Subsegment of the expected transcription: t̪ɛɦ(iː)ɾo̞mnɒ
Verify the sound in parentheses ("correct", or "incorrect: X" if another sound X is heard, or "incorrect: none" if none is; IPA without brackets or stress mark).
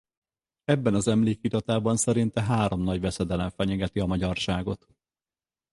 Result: incorrect: aː